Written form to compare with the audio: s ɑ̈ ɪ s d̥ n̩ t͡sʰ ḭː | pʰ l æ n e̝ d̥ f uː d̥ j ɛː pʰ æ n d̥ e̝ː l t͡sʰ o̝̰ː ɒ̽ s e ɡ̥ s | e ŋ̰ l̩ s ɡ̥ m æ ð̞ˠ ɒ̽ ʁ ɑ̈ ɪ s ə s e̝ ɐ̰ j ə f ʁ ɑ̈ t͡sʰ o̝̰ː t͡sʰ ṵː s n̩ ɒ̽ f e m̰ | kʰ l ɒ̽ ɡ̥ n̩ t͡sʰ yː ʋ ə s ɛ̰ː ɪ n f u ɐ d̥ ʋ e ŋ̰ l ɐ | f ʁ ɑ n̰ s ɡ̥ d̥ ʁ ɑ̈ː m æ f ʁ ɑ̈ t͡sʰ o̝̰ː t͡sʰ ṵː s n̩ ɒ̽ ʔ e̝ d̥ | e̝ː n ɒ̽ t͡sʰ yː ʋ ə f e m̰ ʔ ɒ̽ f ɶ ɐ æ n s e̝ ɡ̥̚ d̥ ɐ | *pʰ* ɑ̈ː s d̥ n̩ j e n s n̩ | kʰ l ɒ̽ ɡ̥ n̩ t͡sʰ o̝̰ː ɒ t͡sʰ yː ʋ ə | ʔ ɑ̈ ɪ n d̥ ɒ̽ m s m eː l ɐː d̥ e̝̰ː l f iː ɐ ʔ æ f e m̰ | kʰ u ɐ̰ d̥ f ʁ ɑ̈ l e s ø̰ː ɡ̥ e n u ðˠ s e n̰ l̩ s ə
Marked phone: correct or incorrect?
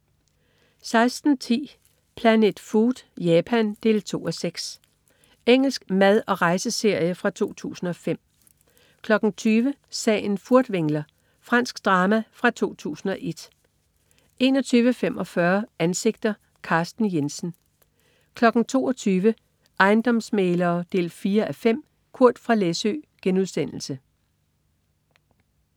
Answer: incorrect